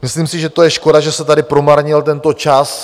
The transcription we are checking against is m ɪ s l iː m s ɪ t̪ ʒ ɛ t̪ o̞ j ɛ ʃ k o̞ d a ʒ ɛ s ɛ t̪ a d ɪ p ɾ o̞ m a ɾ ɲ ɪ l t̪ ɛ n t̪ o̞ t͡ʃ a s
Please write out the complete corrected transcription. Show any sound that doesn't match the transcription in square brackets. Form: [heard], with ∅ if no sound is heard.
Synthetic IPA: m ɪ s l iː m s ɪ [∅] ʒ ɛ t̪ o̞ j ɛ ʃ k o̞ d a ʒ ɛ s ɛ t̪ a d ɪ p ɾ o̞ m a ɾ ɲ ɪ l t̪ ɛ n t̪ o̞ t͡ʃ a s